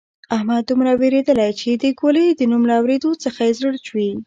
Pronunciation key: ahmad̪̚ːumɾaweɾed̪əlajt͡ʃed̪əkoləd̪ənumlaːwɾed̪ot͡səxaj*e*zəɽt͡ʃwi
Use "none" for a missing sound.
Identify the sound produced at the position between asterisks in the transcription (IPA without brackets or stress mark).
e